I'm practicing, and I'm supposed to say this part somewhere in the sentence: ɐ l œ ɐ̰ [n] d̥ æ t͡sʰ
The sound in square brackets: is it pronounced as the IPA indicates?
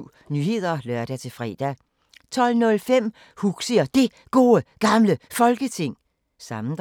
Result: no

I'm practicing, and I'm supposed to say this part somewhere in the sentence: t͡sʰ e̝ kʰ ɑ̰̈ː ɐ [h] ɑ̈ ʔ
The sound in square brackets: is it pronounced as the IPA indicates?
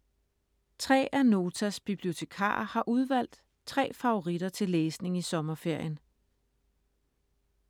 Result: yes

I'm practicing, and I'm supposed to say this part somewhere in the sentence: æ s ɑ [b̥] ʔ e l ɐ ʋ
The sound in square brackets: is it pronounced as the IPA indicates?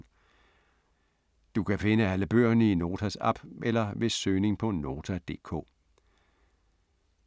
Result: yes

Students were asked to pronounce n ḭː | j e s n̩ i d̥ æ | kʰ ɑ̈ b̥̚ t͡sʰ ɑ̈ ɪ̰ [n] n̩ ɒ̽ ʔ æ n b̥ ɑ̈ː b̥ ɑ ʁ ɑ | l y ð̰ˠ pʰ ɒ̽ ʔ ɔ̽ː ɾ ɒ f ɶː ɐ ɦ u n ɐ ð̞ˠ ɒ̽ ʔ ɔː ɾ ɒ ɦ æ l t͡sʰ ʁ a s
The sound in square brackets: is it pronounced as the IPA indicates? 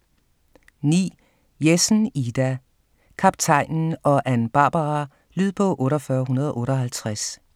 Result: yes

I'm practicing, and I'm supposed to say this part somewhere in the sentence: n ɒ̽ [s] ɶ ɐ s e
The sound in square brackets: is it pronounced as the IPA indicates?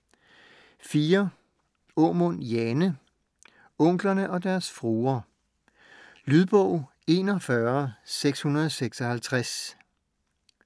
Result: no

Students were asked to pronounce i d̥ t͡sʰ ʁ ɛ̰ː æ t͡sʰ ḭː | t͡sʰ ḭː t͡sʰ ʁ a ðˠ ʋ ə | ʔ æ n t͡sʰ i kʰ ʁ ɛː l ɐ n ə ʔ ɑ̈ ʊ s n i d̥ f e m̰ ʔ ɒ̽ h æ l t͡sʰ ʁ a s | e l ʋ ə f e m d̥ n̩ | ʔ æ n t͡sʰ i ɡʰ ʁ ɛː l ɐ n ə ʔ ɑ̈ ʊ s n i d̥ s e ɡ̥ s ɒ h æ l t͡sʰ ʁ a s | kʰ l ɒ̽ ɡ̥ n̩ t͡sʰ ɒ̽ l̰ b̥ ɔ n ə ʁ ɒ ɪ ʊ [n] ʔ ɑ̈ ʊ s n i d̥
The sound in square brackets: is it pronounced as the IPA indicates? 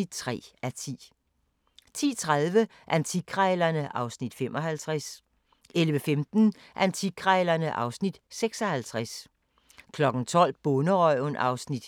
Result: yes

